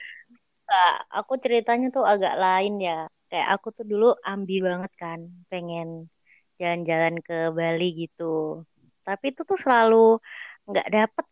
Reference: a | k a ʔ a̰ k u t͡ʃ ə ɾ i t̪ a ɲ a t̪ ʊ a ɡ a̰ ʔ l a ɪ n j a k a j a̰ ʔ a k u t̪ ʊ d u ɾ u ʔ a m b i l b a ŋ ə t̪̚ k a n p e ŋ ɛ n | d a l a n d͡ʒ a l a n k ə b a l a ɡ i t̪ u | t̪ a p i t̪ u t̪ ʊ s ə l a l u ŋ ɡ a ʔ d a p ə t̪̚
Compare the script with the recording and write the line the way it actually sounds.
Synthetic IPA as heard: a | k a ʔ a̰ k u t͡ʃ ə ɾ i t̪ a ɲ a t̪ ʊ a ɡ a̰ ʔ l a ɪ n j a k a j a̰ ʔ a k u t̪ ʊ d u l u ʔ a m b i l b a ŋ ə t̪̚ k a n p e ŋ ɛ n | d͡ʒ a l a n d͡ʒ a l a n k ə b a l i ɡ i t̪ u | t̪ a p i t̪ u t̪ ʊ s ə l a l u ŋ ɡ a ʔ d a p ə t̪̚